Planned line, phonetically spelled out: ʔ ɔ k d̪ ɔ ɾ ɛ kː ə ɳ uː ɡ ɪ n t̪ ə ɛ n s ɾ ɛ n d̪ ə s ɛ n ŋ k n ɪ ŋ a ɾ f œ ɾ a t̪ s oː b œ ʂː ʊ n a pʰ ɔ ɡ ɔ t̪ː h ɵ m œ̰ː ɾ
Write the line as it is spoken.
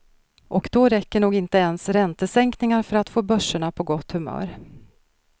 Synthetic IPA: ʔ ɔ k d̪ ɔ ɾ ɛ kː ə ɳ uː ɡ ɪ n t̪ ə ɛ n s ɾ ɛ n t̪ ə s ɛ ŋ k n ɪ ŋ a ɾ f œ ɾ a t̪ f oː b œ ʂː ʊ ɳ a pʰ ɔ ɡ ɔ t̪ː h ɵ m œ̰ː ɾ